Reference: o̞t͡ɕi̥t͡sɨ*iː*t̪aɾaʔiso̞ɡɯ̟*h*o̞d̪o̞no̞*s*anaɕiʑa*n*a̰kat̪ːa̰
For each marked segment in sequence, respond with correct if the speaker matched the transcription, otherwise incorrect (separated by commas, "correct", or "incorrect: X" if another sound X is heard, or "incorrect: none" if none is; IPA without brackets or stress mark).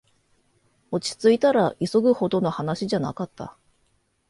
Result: incorrect: i, correct, incorrect: h, correct